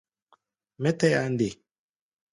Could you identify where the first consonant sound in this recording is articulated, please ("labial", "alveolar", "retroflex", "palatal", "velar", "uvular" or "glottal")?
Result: labial